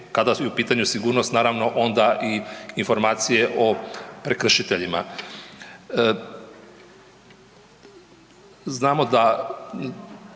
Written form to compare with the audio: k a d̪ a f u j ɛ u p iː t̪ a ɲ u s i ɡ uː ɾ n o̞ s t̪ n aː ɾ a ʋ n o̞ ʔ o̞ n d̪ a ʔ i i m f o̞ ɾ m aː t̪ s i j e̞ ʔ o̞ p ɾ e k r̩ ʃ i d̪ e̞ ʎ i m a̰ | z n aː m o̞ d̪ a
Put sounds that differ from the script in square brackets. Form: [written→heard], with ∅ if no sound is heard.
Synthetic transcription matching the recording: k a d̪ a [f→s] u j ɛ u p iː t̪ a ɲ u s i ɡ uː ɾ n o̞ s t̪ n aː ɾ a ʋ n o̞ ʔ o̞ n d̪ a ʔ i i [m→n] f o̞ ɾ m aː t̪ s i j e̞ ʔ o̞ p ɾ e k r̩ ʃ i [d̪→t̪] e̞ ʎ i m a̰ | z n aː m o̞ d̪ a